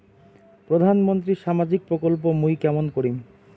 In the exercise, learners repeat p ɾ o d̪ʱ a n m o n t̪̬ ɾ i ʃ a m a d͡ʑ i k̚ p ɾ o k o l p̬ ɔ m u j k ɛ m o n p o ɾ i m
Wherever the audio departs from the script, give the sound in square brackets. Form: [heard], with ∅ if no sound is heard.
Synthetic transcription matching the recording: p ɾ o d̪ʱ a n m o n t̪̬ ɾ i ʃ a m a d͡ʑ i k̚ p ɾ o k o l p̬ [o] m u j k ɛ m o n [k] o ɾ i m